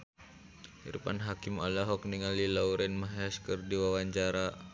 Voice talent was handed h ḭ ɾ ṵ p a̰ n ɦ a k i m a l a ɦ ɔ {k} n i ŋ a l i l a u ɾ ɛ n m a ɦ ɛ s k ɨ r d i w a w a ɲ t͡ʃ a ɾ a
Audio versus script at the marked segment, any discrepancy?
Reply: no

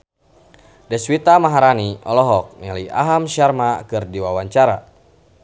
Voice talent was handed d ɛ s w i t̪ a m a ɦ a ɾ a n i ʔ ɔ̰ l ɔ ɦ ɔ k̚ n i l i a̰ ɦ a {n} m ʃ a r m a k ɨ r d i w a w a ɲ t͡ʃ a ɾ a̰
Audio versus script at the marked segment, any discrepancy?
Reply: yes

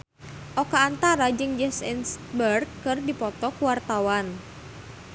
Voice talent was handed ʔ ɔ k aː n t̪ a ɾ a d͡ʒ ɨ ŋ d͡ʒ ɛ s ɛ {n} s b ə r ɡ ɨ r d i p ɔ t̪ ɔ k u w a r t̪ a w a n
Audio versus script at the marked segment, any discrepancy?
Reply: no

